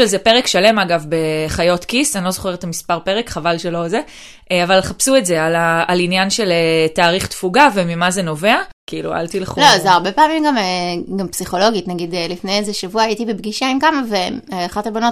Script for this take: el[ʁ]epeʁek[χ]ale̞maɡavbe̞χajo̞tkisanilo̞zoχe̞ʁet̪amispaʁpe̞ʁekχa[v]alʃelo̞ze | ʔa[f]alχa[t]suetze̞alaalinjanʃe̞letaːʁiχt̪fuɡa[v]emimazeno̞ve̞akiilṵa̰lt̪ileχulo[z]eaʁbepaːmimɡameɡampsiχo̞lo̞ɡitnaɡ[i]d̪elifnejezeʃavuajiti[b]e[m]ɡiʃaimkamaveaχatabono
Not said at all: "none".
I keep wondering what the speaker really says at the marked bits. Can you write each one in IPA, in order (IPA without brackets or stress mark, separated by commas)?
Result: z, ʃ, v, v, p, v, z, i, b, b